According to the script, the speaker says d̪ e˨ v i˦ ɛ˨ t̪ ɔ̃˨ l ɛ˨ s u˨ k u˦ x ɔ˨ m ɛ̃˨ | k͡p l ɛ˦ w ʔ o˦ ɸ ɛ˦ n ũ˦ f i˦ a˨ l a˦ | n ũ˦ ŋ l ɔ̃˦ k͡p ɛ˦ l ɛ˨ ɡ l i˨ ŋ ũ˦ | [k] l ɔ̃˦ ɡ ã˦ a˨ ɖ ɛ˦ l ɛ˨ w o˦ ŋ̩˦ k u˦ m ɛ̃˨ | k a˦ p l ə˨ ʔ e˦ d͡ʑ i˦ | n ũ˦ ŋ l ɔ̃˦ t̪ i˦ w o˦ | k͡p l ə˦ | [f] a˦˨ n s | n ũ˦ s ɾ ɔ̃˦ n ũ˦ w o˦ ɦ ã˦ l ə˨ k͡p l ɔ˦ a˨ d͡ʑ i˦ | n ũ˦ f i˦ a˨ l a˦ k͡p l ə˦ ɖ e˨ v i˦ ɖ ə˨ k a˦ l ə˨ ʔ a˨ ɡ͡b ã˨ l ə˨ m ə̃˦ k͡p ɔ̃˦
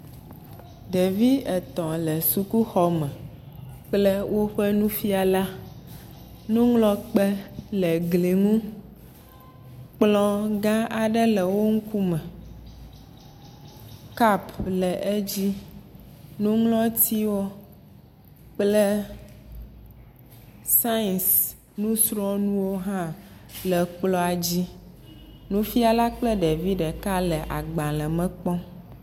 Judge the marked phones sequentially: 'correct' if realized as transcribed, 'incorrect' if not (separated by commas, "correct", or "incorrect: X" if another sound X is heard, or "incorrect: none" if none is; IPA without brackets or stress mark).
incorrect: k͡p, incorrect: s